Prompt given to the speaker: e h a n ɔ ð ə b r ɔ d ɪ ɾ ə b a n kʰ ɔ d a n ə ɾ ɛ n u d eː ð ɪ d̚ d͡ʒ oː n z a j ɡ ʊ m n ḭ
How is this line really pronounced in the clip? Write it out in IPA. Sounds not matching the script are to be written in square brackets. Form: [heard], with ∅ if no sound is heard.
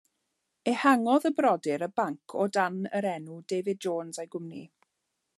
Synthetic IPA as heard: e h a [ŋ] ɔ ð ə b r ɔ d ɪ ɾ ə b a [ŋ] kʰ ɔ d a n ə ɾ ɛ n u d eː [v] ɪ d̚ d͡ʒ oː n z a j ɡ ʊ m n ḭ